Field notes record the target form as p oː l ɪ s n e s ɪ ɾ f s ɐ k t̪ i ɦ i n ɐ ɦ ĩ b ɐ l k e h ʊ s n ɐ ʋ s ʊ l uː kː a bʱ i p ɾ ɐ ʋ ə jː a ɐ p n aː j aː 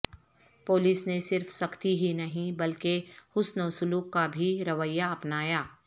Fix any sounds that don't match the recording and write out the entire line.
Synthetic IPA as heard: p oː l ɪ s n e s ɪ ɾ f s ɐ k t̪ i ɦ i n ɐ ɦ ĩ b ɐ l k e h ʊ s n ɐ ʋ s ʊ l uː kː a bʱ i ɾ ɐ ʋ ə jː a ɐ p n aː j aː